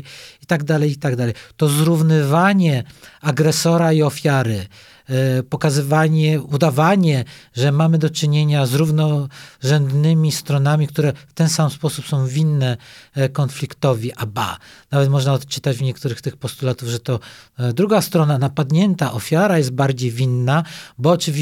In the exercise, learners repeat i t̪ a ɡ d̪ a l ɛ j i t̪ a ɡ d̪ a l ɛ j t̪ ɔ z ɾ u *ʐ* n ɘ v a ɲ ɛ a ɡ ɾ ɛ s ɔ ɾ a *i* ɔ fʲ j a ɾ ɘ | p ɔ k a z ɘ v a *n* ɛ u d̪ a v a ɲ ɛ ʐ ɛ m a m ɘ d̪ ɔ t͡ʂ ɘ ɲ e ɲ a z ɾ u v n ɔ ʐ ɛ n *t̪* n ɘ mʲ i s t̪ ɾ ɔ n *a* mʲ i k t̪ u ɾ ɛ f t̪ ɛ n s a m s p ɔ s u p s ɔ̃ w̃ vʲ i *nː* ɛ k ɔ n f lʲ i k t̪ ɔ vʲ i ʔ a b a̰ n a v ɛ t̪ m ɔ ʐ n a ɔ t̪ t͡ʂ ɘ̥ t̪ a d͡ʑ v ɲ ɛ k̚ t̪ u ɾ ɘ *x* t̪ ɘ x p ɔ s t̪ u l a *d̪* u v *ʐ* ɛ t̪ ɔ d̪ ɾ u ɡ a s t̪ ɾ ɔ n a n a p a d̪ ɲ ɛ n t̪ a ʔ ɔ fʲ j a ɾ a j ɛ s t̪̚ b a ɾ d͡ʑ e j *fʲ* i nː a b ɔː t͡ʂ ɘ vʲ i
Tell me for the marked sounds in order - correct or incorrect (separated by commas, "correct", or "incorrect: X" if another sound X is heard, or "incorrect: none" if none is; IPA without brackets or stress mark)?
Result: incorrect: v, correct, incorrect: ɲ, incorrect: d̪, correct, correct, correct, incorrect: t̪, correct, incorrect: vʲ